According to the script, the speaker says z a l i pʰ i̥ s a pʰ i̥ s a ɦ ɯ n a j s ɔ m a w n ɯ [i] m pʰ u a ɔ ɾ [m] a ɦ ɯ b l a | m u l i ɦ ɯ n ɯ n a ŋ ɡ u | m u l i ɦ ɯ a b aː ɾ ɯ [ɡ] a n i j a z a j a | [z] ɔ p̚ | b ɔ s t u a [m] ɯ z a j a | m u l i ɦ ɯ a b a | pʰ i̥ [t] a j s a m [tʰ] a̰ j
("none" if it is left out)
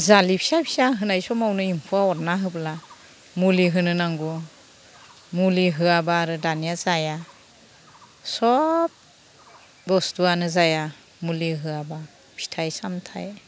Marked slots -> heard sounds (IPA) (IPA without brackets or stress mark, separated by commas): i, n, d, s, n, tʰ, tʰ